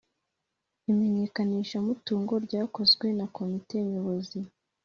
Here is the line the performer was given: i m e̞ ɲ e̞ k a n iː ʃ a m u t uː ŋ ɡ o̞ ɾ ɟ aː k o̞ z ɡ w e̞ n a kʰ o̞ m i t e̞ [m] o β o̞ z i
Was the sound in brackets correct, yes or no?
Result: no